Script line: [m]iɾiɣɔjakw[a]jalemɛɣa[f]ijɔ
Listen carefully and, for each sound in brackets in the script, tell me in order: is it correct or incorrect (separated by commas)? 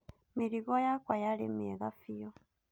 correct, correct, correct